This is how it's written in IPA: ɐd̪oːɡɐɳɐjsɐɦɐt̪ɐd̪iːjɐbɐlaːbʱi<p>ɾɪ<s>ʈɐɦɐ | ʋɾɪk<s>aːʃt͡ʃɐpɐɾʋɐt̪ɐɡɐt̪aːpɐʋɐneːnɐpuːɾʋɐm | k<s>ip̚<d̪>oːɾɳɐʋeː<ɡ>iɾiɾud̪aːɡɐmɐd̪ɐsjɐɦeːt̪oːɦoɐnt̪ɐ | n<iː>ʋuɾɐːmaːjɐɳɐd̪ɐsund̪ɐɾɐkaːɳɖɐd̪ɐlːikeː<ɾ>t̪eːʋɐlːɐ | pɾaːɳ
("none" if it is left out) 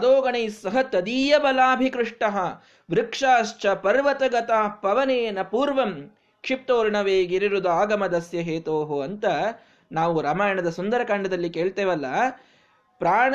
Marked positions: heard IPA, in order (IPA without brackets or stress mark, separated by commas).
k, ʂ, ʂ, ʂ, t̪, ɡ, aː, ɭ